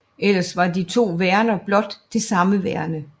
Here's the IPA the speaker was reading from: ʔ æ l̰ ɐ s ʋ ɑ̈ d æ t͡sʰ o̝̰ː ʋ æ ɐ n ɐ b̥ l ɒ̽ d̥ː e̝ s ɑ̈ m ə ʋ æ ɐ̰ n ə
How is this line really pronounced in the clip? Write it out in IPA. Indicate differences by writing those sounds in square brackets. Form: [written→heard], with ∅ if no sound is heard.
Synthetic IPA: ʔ [æ→e] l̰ ɐ s ʋ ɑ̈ d [æ→i] t͡sʰ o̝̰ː ʋ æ ɐ n ɐ b̥ l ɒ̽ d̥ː e̝ s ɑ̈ m ə ʋ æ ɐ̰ n ə